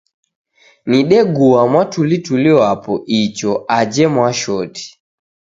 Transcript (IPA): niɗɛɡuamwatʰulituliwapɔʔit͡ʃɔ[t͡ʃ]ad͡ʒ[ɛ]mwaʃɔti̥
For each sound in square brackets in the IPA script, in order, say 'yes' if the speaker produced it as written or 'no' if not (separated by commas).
no, yes